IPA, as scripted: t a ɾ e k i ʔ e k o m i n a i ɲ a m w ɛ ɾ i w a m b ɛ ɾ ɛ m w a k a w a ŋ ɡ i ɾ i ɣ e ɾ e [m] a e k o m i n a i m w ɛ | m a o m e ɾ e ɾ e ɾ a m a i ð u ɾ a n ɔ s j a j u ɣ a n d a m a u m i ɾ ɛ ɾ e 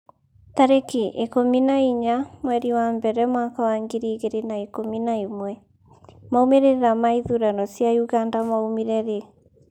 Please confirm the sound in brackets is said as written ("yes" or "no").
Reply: no